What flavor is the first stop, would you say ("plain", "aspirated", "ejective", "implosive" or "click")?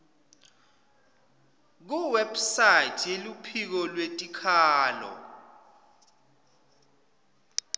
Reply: plain